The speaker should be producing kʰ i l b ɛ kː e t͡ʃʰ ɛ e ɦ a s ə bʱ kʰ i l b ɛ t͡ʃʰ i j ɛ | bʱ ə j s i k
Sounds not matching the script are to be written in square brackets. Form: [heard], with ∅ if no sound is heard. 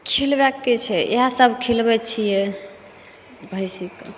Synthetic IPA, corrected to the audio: kʰ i l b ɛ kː e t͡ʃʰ ɛ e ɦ a s ə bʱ kʰ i l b ɛ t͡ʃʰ i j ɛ | bʱ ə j s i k